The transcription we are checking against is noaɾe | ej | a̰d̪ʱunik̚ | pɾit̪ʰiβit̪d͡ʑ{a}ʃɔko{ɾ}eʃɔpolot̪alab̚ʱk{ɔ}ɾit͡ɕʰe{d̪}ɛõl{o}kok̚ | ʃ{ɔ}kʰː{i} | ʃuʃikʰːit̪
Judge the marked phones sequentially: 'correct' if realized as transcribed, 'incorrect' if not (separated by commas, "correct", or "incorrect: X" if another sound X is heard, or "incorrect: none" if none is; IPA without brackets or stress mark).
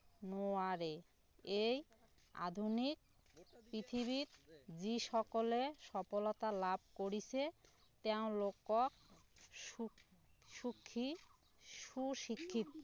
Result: incorrect: i, incorrect: l, incorrect: o, incorrect: t̪, correct, incorrect: u, correct